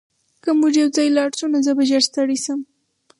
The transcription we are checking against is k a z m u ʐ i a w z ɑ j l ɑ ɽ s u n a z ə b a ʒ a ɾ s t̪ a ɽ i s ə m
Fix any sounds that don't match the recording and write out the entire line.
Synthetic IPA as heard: k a m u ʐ j a w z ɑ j l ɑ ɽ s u n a z ə b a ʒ a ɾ s t̪ a ɽ i s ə m